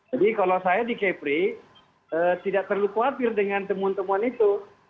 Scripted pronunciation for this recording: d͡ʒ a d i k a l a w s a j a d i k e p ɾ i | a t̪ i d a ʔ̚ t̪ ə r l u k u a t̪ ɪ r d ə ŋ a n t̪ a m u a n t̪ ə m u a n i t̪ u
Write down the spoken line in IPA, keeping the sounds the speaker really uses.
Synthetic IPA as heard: d͡ʒ a d i k a l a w s a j a d i k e p ɾ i | ə t̪ i d a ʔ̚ t̪ ə r l u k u a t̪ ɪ r d ə ŋ a n t̪ ə m u a n t̪ ə m u a n i t̪ u